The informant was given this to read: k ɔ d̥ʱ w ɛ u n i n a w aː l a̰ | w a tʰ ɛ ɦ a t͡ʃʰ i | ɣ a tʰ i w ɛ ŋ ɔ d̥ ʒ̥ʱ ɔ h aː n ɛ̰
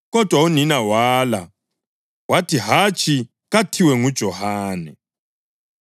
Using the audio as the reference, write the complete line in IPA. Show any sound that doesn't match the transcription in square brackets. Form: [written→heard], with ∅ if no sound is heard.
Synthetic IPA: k ɔ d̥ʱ w [ɛ→a] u n i n a w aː l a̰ | w a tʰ [ɛ→i] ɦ a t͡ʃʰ i | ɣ a tʰ i w ɛ ŋ [ɔ→u] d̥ ʒ̥ʱ ɔ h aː n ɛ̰